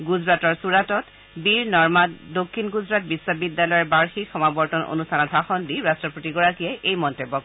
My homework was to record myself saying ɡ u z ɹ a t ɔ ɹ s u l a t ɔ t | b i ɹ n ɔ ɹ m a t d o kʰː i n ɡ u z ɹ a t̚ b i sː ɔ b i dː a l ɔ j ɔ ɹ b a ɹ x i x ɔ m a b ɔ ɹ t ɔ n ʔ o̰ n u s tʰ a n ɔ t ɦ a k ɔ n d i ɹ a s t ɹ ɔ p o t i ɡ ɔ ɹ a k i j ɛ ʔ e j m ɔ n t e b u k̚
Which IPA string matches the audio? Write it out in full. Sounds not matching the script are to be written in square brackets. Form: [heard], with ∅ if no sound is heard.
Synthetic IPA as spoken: ɡ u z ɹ a t ɔ ɹ s u [ɹ] a t ɔ t | b i ɹ n ɔ ɹ m a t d o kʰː i n ɡ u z ɹ a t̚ b i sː ɔ b i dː a l ɔ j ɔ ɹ b a ɹ x i x ɔ m a b ɔ ɹ t ɔ n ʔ o̰ n u s tʰ a n ɔ t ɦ a [x] ɔ n d i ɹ a s t ɹ ɔ p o t i ɡ ɔ ɹ a k i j ɛ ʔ e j m ɔ n t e b [ɔ] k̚